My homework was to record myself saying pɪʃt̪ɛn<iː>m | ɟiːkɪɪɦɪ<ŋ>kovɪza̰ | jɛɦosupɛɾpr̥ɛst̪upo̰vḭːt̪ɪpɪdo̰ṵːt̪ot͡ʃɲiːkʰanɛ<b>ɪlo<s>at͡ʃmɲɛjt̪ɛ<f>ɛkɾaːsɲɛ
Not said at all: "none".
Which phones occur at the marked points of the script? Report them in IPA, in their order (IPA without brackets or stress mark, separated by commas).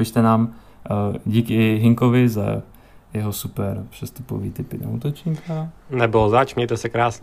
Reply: aː, ŋ, b, z, s